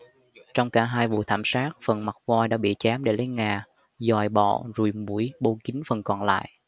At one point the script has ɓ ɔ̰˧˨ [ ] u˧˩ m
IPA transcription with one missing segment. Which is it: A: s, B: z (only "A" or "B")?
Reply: B